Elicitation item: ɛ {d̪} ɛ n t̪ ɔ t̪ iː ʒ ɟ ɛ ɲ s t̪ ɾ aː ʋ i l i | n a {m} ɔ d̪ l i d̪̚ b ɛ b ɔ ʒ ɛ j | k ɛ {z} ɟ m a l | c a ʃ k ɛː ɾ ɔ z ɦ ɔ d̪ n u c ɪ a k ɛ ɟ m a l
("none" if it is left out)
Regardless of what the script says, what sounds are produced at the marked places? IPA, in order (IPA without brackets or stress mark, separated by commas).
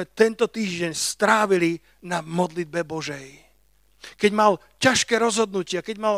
t̪, m, none